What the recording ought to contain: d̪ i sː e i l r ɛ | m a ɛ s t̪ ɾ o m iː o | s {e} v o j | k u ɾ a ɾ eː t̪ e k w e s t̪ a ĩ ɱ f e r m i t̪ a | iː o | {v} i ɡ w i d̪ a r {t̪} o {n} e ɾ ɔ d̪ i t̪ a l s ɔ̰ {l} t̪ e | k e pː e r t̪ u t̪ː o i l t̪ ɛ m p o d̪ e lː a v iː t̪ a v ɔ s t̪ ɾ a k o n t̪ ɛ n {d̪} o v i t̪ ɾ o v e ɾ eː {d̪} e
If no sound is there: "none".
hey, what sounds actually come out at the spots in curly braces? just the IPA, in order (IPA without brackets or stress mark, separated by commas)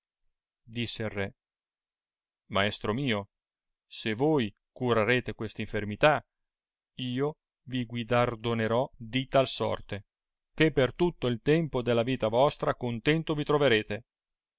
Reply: e, v, d̪, n, r, t̪, t̪